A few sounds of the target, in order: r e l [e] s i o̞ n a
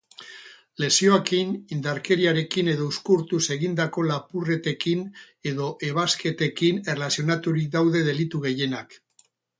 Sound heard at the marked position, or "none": a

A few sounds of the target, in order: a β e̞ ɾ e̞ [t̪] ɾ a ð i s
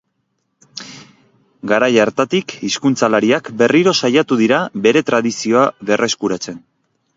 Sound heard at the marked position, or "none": t̪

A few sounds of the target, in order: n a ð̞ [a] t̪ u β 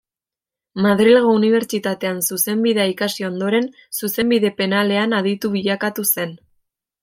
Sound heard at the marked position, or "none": i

